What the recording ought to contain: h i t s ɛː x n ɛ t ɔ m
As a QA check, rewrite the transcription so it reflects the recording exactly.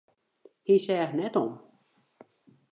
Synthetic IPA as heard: h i s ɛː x n ɛ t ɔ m